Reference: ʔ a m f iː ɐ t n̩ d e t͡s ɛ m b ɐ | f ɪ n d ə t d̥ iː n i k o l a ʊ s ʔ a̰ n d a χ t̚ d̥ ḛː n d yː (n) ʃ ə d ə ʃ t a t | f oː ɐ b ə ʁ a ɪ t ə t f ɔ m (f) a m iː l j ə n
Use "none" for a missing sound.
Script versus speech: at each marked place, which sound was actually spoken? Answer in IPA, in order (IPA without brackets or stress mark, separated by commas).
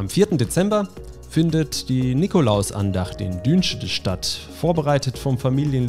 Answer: n, f